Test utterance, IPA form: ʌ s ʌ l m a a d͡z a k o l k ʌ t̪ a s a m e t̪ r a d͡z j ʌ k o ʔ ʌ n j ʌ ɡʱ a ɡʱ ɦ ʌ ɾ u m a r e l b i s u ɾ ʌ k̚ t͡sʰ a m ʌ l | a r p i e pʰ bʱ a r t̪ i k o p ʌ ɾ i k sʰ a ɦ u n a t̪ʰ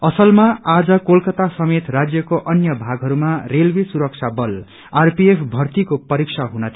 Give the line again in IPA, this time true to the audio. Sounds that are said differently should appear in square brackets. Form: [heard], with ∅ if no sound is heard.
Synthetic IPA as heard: ʌ s ʌ l m a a d͡z [ʌ] k o l k ʌ t̪ a s [ʌ] m e t̪ r a d͡z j ʌ k o ʔ ʌ n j ʌ [bʱ] a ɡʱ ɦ ʌ ɾ u m a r e l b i s u ɾ ʌ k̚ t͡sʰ a [b] ʌ l | a r p i e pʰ bʱ [ʌ] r t̪ i k o p ʌ ɾ i k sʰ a ɦ u n [ʌ] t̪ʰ